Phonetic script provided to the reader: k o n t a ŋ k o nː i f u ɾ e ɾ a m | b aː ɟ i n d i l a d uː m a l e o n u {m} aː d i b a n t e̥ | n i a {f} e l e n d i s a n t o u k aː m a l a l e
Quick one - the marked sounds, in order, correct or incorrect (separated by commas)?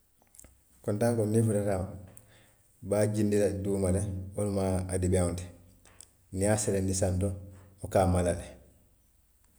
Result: correct, incorrect